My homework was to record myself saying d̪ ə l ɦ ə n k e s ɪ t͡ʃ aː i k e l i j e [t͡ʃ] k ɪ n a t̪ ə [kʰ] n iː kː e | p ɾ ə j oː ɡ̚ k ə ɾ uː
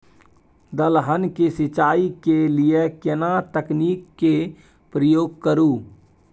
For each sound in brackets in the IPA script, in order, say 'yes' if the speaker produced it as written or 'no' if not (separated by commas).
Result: no, no